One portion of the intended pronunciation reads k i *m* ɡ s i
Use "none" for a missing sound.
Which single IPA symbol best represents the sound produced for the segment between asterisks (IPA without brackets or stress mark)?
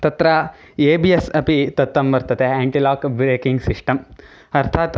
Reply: ŋ